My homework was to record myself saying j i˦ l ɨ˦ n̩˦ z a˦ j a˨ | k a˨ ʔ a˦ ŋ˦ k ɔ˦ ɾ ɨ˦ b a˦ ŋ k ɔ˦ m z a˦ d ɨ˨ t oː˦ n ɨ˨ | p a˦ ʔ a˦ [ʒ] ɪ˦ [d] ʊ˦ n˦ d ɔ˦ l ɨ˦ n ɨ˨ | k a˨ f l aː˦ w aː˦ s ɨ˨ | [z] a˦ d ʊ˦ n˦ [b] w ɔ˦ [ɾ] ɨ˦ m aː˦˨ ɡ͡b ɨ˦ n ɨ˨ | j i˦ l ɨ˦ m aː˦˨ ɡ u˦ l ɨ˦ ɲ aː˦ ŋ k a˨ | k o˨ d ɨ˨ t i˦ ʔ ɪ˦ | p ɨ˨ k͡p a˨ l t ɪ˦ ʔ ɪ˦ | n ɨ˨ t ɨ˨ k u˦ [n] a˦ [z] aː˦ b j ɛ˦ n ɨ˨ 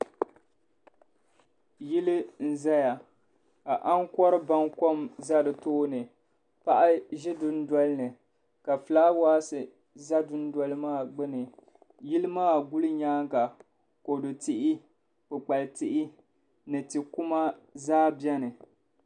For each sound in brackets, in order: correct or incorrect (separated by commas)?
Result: correct, correct, correct, incorrect, incorrect, incorrect, correct